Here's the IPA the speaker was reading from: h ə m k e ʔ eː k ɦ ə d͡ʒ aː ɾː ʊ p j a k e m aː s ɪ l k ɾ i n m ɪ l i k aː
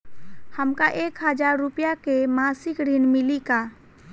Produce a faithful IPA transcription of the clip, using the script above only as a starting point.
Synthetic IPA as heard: h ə m k a ʔ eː k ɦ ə d͡ʒ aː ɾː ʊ p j a k e m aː s ɪ k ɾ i n m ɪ l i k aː